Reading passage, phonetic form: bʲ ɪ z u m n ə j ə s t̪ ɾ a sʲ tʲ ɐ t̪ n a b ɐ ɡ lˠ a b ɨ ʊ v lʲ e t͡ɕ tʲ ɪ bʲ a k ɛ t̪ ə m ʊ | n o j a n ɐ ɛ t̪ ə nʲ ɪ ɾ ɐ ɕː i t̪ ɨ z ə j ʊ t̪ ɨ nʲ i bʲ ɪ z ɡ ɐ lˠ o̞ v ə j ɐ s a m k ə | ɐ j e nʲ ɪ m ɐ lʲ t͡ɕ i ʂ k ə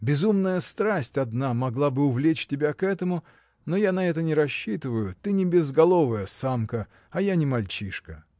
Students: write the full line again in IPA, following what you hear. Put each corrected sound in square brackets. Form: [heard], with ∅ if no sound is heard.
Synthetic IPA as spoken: bʲ ɪ z u m n ə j ə s t̪ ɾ a sʲ tʲ ɐ [d̪] n a [m] ɐ ɡ lˠ a b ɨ ʊ v lʲ e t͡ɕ tʲ ɪ bʲ a k ɛ t̪ ə m ʊ | n o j a n ɐ ɛ t̪ ə nʲ ɪ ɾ ɐ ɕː i t̪ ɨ [v] ə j ʊ t̪ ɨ nʲ [ɪ] bʲ ɪ z ɡ ɐ lˠ o̞ v ə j [ə] s a m k ə | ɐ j [a] nʲ ɪ m ɐ lʲ t͡ɕ i ʂ k ə

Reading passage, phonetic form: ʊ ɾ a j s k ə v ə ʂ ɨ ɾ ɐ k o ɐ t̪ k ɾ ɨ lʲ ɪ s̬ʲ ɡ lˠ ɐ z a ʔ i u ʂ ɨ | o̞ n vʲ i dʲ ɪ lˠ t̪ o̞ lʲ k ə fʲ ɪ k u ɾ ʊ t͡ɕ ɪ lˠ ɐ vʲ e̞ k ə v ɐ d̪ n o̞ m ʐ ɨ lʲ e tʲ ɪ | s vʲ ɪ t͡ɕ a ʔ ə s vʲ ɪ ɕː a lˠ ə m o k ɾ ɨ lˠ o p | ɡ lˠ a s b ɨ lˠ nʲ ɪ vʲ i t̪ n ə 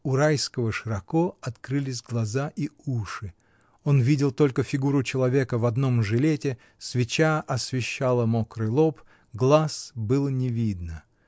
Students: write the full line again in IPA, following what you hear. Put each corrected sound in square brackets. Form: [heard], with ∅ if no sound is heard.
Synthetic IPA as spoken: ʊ ɾ a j s k ə v ə ʂ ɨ ɾ ɐ k o ɐ t̪ k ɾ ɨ lʲ ɪ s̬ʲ ɡ lˠ ɐ z a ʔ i u ʂ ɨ | o̞ n vʲ i dʲ ɪ lˠ t̪ o̞ lʲ k ə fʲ ɪ [ɡ] u ɾ ʊ t͡ɕ ɪ lˠ ɐ vʲ e̞ k ə v ɐ d̪ n o̞ m ʐ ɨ lʲ e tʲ ɪ | s vʲ ɪ t͡ɕ a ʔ [ɐ] s vʲ ɪ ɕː a lˠ ə m o k ɾ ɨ lˠ o p | ɡ lˠ a s b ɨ lˠ nʲ ɪ vʲ i [d̪] n ə

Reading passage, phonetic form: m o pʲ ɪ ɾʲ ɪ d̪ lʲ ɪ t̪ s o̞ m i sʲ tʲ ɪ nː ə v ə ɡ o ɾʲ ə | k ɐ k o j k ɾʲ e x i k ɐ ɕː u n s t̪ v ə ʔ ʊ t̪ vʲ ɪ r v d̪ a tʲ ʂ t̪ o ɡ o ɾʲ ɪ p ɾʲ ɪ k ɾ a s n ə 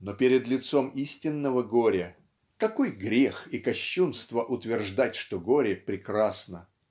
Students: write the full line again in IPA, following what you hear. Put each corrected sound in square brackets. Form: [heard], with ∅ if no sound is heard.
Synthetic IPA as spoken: [n] o pʲ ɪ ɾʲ ɪ d̪ lʲ ɪ t̪ s o̞ m i sʲ tʲ ɪ nː ə v ə ɡ o ɾʲ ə | k ɐ k o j [ɡ] ɾʲ e x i k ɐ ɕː u n s t̪ v ə ʔ ʊ t̪ vʲ ɪ r [ʐ] d̪ a tʲ ʂ t̪ o ɡ o ɾʲ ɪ p ɾʲ ɪ k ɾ a s n ə

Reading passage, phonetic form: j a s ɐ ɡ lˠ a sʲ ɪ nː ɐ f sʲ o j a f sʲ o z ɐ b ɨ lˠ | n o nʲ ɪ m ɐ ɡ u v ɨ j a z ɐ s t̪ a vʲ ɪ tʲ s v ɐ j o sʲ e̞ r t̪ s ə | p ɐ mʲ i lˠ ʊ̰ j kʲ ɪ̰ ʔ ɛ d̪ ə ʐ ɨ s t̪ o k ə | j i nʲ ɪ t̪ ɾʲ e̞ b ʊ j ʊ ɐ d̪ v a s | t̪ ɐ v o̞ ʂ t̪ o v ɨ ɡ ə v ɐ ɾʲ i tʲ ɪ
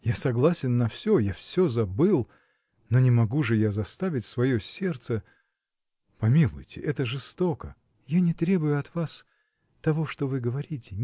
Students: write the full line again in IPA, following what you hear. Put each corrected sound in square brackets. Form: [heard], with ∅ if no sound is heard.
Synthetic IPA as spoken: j a s ɐ ɡ lˠ a sʲ ɪ nː ɐ f sʲ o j a f sʲ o z ɐ b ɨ lˠ | n o nʲ ɪ m ɐ ɡ u [ʐ] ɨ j a z ɐ s t̪ a vʲ ɪ tʲ s v ɐ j o sʲ e̞ r t̪ s ə | p ɐ mʲ i lˠ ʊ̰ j [tʲ] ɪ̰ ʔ ɛ [t̪] ə ʐ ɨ s t̪ o k ə | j [a] nʲ ɪ t̪ ɾʲ e̞ b ʊ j ʊ ɐ [t̪] v a s | t̪ ɐ v o̞ ʂ t̪ o v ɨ ɡ ə v ɐ ɾʲ i tʲ ɪ

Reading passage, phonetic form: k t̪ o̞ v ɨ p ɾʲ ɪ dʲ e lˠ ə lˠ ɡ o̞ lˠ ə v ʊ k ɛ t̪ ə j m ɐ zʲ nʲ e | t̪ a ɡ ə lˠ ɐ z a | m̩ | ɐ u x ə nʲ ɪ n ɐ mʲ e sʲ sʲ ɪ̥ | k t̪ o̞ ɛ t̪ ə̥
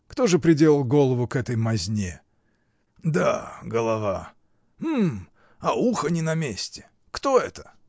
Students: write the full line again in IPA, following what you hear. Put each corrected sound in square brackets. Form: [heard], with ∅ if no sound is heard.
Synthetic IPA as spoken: k t̪ o̞ [ʐ] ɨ p ɾʲ ɪ dʲ e lˠ ə lˠ ɡ o̞ lˠ ə v ʊ k ɛ t̪ ə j m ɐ zʲ nʲ e | [d̪] a ɡ ə lˠ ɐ [v] a | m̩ | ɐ u x ə nʲ ɪ n ɐ mʲ e sʲ [tʲ] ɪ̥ | k t̪ o̞ ɛ t̪ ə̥

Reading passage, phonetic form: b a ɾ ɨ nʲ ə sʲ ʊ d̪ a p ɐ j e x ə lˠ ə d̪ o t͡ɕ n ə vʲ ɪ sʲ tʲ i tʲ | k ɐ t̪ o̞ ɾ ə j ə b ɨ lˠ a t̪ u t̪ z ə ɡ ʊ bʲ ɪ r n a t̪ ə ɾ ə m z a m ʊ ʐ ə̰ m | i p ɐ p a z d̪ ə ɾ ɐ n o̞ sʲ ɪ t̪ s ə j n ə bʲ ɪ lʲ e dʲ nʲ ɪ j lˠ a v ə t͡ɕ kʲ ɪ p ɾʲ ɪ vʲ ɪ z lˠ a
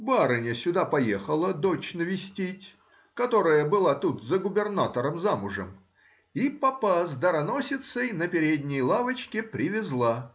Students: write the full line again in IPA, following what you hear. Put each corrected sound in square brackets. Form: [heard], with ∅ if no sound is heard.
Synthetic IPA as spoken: b a ɾ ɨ nʲ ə sʲ ʊ d̪ a p ɐ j e x ə lˠ ə d̪ o t͡ɕ n ə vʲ ɪ sʲ tʲ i tʲ | k ɐ t̪ o̞ ɾ ə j ə b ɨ lˠ a t̪ u t̪ z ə ɡ ʊ bʲ ɪ r n a t̪ ə ɾ ə m z a m ʊ ʐ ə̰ m | i p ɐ p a z d̪ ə ɾ ɐ n o̞ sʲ ɪ t̪ s ə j n ə [pʲ] ɪ [ɾʲ] e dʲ nʲ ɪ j lˠ a v ə t͡ɕ kʲ ɪ p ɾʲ ɪ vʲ ɪ z lˠ a

